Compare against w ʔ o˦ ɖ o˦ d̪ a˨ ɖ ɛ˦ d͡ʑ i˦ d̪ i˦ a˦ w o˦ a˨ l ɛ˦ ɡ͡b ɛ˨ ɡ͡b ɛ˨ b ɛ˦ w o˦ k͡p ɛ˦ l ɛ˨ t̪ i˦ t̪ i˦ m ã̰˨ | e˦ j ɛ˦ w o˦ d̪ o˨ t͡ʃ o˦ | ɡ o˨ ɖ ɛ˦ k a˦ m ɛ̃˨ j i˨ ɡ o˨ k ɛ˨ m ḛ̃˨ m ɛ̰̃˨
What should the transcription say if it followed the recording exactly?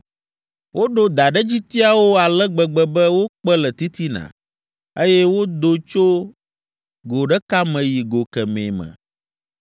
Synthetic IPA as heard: w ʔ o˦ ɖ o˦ d̪ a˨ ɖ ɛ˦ d͡ʑ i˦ t̪ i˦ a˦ w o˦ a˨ l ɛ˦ ɡ͡b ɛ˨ ɡ͡b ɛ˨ b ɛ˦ w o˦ k͡p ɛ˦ l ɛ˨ t̪ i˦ t̪ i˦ n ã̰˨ | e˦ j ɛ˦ w o˦ d̪ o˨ t͡ʃ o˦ | ɡ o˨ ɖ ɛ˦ k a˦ m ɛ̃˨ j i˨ ɡ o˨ k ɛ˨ m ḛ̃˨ m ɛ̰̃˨